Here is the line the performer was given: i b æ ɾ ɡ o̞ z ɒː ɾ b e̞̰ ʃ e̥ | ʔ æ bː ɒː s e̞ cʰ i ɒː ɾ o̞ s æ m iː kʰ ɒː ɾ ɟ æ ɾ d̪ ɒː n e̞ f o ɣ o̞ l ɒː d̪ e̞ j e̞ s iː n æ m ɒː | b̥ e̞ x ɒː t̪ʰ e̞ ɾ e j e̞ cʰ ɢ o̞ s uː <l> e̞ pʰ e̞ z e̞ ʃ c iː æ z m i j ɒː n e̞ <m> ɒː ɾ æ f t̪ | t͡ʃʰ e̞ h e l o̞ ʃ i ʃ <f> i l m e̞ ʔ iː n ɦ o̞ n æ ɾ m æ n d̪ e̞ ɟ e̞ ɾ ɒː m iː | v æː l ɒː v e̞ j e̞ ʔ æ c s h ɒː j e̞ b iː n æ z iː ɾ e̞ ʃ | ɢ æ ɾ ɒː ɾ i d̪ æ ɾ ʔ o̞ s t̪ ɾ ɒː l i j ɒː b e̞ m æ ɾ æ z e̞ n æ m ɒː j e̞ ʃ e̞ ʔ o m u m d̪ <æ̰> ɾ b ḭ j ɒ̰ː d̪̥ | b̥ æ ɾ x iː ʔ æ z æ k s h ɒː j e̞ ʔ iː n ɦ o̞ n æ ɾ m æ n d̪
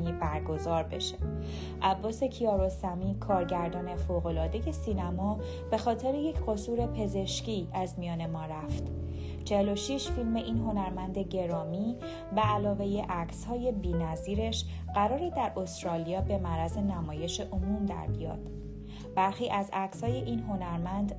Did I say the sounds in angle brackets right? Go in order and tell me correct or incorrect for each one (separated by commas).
incorrect, correct, correct, correct